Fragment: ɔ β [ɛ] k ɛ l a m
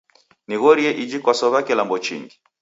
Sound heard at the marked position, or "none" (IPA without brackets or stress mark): a